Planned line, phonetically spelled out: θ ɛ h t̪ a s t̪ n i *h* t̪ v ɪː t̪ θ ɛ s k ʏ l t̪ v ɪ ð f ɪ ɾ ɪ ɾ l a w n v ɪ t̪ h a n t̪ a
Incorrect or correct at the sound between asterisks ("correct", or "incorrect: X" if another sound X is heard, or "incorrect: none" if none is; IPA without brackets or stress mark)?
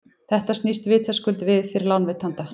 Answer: incorrect: s